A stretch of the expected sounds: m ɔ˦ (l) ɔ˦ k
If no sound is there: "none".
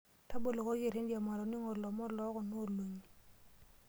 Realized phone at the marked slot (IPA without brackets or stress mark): l